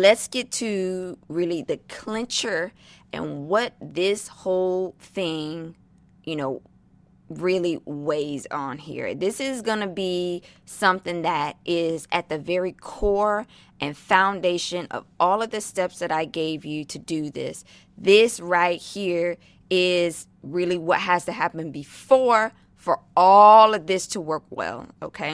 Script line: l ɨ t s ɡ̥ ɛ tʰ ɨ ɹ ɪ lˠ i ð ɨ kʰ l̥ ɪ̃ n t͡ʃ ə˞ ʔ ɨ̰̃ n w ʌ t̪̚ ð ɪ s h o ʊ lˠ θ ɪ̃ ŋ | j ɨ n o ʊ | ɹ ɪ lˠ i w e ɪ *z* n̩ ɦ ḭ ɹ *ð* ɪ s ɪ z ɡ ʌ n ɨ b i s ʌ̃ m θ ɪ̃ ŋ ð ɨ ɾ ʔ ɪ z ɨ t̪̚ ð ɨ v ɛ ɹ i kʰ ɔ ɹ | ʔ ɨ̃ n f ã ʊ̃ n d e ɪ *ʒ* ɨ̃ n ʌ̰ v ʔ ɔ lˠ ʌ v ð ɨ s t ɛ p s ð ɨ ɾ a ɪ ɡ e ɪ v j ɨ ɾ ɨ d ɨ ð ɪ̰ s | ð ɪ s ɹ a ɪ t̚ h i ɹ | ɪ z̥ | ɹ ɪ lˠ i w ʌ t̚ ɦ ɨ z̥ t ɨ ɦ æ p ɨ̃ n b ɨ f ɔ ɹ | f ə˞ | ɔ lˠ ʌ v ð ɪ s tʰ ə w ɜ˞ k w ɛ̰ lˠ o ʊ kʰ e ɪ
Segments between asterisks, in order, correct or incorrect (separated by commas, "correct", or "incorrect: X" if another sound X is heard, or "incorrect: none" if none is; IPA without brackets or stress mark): correct, correct, incorrect: ʃ